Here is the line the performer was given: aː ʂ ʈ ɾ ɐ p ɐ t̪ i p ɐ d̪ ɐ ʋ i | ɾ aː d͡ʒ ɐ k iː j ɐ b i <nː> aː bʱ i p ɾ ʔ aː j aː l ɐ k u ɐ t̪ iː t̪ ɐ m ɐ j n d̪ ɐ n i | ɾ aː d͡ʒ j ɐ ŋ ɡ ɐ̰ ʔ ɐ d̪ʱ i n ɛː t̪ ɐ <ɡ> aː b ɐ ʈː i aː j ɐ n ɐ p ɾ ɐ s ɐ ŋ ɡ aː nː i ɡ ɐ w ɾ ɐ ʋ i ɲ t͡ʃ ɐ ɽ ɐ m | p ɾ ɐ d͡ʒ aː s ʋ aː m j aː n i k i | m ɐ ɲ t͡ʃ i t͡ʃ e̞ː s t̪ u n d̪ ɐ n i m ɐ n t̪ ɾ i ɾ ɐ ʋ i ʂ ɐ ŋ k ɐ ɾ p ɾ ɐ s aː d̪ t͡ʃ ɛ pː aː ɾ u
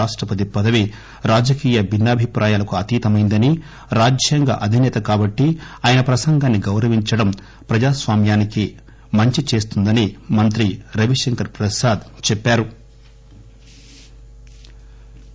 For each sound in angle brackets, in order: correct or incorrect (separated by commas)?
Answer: correct, incorrect